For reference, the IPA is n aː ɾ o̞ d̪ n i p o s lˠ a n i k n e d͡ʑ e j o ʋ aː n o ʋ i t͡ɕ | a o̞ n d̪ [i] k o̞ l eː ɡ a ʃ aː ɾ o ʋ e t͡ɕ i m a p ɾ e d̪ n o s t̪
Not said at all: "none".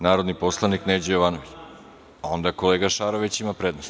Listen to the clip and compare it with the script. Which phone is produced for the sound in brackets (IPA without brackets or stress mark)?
a